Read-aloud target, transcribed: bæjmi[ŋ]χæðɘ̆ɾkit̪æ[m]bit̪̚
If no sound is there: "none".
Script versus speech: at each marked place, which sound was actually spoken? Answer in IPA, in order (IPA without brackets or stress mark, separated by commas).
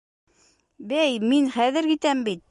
n, m